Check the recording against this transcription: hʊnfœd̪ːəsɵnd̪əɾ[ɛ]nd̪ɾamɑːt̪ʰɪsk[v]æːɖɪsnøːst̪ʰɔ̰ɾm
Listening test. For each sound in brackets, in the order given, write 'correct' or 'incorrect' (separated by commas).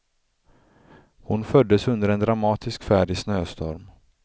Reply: correct, incorrect